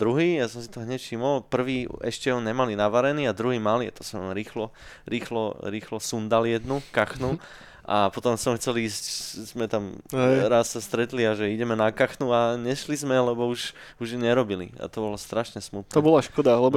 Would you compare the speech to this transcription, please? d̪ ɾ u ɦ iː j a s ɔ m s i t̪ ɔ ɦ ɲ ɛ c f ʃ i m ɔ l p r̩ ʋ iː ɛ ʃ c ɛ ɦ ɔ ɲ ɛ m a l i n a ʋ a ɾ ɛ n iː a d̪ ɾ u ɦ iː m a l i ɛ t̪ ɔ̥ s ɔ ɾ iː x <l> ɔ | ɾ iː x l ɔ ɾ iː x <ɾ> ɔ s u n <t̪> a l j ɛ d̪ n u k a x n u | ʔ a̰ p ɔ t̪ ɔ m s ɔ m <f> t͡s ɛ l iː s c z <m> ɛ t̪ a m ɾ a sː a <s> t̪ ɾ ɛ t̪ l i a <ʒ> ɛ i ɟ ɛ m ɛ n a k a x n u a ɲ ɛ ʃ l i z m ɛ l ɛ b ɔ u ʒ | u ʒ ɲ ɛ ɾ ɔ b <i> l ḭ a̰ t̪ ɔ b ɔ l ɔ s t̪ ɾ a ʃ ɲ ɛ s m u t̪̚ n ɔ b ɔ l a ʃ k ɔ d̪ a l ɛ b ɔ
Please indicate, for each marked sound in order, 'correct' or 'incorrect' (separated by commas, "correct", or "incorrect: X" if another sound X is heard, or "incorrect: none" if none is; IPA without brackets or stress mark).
correct, incorrect: l, incorrect: d̪, incorrect: x, correct, correct, correct, correct